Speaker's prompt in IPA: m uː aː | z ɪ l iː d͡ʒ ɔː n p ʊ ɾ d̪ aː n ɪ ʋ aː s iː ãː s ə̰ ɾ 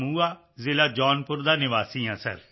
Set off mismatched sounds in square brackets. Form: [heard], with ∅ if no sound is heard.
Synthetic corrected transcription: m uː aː | z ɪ l [aː] d͡ʒ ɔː n p ʊ ɾ d̪ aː n ɪ ʋ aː s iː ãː s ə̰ ɾ